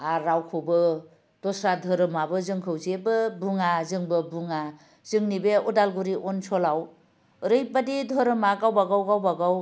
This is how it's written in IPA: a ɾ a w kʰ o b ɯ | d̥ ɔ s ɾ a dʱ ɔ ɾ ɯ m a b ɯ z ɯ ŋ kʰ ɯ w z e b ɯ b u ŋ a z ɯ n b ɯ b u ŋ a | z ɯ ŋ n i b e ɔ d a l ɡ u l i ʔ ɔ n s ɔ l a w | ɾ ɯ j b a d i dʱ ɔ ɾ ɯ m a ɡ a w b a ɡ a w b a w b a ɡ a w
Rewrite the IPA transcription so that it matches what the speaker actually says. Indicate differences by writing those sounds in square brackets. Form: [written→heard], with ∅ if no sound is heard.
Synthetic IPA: a ɾ a w kʰ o b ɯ | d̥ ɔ s ɾ a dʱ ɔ ɾ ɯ m a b ɯ z ɯ ŋ kʰ ɯ w z e b ɯ b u ŋ a z ɯ [n→ŋ] b ɯ b u ŋ a | z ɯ ŋ n i b e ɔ d a l ɡ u [l→ɾ] i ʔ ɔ n s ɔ l a w | ɾ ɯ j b a d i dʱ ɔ ɾ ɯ m a ɡ a w b a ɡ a w [b→ɡ] a w b a ɡ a w